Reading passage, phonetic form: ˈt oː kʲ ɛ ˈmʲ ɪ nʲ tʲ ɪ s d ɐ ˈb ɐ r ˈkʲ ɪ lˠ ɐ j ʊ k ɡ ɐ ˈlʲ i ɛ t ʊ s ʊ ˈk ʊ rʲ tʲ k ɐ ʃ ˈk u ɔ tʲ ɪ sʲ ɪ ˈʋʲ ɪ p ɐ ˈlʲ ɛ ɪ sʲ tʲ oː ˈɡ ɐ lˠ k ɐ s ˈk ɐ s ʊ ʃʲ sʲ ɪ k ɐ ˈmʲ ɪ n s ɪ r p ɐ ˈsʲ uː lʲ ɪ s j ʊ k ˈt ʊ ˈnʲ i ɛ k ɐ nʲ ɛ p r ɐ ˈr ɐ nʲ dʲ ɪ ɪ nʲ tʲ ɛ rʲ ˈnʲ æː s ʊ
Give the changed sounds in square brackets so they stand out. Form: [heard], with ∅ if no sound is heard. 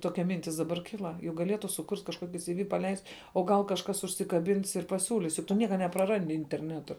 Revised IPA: ˈt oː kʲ ɛ ˈmʲ ɪ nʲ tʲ ɪ s d ɐ ˈb ɐ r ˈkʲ ɪ lˠ ɐ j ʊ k ɡ ɐ ˈlʲ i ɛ t ʊ s ʊ ˈk ʊ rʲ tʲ k ɐ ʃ ˈk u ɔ [kʲ] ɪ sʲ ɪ ˈʋʲ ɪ p ɐ ˈlʲ ɛ ɪ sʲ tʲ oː ˈɡ ɐ lˠ k ɐ [ʃ] ˈk ɐ s ʊ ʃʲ sʲ ɪ k ɐ [ˈbʲ] ɪ n s ɪ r p ɐ ˈsʲ uː lʲ ɪ s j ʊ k ˈt ʊ ˈnʲ i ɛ k ɐ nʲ ɛ p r ɐ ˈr ɐ nʲ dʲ ɪ ɪ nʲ tʲ ɛ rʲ ˈnʲ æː [t] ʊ